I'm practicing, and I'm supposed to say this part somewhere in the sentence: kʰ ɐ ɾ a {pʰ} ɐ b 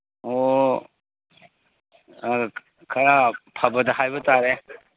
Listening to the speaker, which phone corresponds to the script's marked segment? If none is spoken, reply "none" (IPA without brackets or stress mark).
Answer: pʰ